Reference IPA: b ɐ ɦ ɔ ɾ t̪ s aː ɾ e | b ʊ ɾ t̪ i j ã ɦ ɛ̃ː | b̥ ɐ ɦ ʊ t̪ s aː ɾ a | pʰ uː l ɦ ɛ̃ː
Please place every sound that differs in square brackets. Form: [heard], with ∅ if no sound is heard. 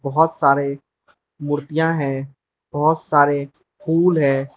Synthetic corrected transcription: b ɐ ɦ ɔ [∅] t̪ s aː ɾ e | [m] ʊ ɾ t̪ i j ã ɦ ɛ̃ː | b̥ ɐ ɦ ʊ t̪ s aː ɾ [e] | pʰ uː l ɦ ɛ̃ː